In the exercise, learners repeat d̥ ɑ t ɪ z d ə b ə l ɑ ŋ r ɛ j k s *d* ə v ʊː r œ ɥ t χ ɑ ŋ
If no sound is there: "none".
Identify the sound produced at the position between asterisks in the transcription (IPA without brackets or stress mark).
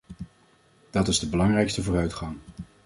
t